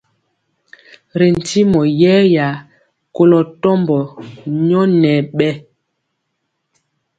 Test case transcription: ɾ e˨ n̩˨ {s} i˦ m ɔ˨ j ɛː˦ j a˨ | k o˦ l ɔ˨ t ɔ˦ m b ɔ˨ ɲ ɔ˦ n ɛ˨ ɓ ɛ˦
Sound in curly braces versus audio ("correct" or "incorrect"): incorrect